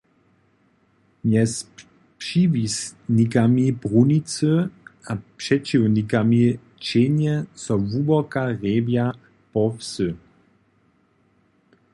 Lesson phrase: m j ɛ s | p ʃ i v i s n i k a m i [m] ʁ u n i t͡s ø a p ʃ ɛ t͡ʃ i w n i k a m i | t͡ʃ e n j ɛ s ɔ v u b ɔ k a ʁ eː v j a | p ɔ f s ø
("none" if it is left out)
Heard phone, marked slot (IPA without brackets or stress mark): b